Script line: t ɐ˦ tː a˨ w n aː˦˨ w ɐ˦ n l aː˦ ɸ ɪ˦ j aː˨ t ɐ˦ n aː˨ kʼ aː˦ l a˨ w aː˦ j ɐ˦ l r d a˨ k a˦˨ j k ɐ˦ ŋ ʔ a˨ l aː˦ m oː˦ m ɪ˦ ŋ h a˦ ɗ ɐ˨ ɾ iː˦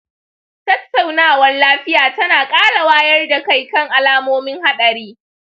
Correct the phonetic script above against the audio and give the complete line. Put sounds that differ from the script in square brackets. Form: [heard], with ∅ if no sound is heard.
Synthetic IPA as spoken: t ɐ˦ tː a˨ w n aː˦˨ w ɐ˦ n l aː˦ ɸ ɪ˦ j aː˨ t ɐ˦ n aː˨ kʼ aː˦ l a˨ w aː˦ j ɐ˦ [∅] r d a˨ k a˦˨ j k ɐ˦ ŋ ʔ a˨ l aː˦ m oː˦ m ɪ˦ ŋ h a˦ ɗ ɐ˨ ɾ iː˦